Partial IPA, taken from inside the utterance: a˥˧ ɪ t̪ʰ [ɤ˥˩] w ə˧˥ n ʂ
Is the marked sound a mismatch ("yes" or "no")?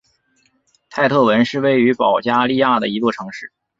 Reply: no